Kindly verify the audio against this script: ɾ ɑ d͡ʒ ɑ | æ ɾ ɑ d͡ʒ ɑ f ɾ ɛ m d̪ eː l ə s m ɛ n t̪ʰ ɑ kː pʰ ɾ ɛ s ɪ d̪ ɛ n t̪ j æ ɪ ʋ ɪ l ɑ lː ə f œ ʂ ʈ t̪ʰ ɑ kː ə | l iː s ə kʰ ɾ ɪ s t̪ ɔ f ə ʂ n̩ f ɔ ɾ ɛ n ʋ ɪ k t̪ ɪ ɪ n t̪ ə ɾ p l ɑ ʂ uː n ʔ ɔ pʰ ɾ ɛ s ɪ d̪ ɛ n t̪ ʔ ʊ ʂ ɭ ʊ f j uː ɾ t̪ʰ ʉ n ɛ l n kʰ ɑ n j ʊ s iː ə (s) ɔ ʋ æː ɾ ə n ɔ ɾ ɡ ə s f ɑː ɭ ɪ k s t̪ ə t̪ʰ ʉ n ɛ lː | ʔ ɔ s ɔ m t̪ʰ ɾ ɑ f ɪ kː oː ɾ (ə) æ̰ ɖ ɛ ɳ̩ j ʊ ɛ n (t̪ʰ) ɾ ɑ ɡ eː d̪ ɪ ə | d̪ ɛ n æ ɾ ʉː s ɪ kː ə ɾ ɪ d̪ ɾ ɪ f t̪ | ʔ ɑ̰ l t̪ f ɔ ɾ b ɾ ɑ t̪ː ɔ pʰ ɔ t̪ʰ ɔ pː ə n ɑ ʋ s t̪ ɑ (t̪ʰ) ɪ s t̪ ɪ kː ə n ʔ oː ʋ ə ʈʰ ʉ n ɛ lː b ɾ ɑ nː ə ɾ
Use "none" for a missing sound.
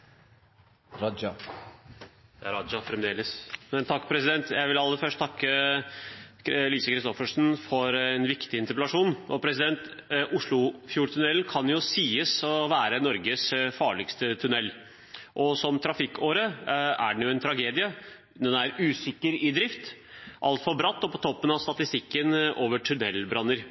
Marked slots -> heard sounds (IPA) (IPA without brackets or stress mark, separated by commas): s, ə, t̪ʰ, t̪